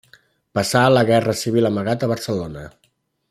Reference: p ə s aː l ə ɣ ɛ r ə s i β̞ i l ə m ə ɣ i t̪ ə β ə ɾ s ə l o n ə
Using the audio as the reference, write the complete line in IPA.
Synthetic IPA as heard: p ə s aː l ə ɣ ɛ r ə s i β̞ i l ə m ə ɣ a t̪ ə β ə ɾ s ə l o n ə